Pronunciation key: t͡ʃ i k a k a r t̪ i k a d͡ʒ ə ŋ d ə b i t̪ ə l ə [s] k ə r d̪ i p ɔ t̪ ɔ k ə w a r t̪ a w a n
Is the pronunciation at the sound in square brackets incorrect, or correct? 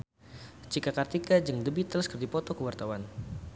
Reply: correct